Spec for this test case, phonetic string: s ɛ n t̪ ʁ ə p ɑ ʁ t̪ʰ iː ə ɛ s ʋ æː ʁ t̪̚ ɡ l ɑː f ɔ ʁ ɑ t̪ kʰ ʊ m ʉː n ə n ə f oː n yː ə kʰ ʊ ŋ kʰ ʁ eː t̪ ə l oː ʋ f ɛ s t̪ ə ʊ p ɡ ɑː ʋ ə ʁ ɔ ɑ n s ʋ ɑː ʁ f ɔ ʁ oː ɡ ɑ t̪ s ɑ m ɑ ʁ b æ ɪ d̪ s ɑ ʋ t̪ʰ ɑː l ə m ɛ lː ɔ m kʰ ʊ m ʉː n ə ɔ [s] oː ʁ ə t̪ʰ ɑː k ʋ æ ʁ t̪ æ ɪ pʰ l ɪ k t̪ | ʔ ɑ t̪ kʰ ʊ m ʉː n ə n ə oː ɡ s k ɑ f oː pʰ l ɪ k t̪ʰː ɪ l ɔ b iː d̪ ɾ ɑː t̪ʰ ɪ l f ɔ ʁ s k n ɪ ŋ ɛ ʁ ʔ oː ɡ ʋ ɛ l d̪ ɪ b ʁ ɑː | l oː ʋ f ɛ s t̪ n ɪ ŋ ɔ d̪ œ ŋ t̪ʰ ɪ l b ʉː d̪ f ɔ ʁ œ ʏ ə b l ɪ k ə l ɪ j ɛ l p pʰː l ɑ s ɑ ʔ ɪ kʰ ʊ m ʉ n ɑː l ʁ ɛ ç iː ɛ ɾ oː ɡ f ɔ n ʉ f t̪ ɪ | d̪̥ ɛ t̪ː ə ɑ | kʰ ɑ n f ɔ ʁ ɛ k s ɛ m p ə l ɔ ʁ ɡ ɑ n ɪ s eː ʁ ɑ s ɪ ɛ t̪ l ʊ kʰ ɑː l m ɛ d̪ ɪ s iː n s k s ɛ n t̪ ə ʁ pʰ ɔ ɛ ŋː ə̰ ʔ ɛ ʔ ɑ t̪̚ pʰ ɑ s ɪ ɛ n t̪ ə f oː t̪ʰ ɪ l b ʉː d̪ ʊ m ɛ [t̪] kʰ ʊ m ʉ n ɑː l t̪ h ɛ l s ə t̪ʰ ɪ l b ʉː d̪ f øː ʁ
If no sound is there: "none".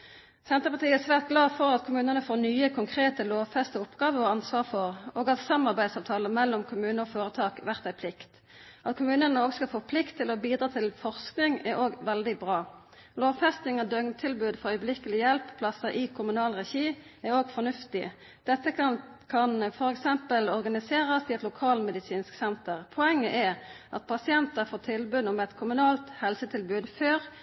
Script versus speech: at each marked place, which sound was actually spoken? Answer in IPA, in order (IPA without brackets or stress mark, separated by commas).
f, t̪